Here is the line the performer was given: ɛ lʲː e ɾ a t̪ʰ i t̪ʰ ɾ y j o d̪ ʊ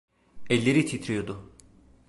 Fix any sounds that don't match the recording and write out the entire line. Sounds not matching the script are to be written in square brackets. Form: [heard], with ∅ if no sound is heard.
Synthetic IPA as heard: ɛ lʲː e ɾ [i] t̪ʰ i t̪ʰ ɾ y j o d̪ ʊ